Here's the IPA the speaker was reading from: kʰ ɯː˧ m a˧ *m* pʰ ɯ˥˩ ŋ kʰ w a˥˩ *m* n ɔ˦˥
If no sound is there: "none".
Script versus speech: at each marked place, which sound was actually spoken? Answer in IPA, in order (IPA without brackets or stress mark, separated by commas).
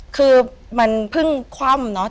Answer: n, m